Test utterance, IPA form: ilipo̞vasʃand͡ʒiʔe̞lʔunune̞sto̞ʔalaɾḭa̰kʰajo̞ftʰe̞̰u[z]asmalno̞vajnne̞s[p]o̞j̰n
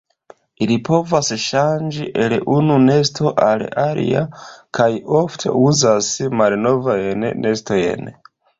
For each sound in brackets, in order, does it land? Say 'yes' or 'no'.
yes, no

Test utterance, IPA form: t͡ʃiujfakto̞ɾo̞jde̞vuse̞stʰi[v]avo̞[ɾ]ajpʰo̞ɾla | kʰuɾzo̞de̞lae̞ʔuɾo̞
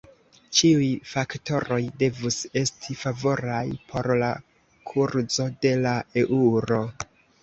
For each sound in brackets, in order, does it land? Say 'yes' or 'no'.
no, yes

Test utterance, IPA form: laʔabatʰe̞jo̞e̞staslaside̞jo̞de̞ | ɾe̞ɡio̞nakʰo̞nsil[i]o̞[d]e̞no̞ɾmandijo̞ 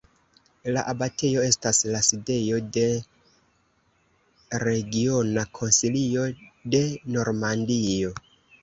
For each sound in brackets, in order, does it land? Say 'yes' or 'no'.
yes, yes

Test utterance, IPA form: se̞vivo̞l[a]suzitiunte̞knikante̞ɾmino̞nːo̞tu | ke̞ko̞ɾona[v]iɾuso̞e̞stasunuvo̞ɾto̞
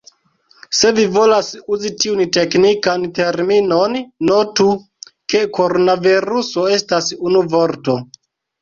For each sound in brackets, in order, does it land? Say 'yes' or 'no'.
yes, yes

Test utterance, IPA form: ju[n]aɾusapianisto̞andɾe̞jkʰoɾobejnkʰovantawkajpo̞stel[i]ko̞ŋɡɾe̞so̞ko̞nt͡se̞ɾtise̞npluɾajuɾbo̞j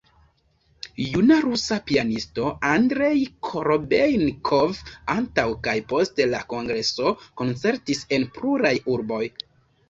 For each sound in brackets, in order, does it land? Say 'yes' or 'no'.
yes, no

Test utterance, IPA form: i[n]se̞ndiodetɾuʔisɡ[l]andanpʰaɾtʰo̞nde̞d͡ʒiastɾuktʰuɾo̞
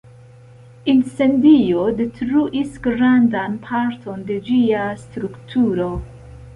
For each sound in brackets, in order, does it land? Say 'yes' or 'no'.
yes, no

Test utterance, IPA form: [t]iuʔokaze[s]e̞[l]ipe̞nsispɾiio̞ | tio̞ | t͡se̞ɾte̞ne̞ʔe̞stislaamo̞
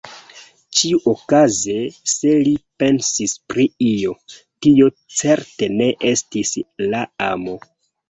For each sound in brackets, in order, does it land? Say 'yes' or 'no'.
no, yes, yes

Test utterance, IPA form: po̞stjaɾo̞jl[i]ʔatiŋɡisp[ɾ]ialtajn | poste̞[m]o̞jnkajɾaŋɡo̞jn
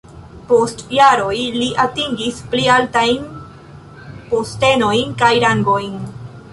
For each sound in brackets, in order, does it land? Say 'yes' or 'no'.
yes, no, no

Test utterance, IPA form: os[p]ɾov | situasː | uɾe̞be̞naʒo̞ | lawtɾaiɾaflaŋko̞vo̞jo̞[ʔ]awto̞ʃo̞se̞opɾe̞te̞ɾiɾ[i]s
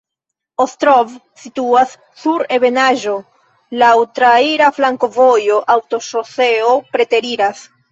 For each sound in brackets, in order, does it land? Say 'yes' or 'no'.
no, yes, no

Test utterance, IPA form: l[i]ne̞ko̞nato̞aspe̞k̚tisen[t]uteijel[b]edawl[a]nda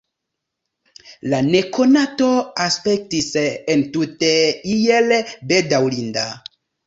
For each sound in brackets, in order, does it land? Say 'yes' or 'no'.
no, yes, yes, no

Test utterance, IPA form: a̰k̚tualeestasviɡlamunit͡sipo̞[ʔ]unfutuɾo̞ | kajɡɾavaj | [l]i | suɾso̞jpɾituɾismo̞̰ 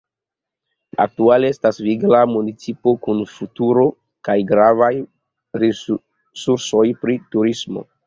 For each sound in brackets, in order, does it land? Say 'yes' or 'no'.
no, no

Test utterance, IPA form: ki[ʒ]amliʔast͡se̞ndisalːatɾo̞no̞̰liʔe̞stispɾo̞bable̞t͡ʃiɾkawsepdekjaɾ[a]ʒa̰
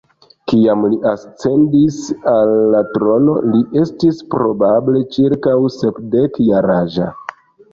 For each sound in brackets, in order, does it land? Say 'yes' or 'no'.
no, yes

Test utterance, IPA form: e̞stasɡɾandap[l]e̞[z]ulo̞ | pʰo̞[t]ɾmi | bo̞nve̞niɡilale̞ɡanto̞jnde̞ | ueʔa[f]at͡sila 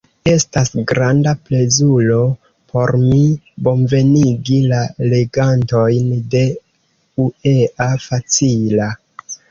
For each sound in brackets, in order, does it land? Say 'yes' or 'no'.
yes, yes, no, yes

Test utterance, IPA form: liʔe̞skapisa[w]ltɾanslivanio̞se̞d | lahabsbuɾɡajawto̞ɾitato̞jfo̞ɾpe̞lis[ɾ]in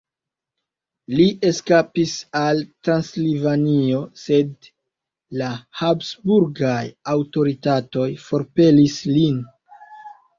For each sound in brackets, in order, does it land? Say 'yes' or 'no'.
no, no

